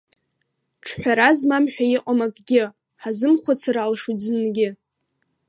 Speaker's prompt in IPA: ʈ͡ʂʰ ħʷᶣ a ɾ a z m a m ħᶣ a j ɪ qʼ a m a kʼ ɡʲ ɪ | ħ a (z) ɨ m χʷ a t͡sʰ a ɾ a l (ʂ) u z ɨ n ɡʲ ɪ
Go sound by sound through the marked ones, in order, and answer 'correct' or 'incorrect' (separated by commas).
correct, correct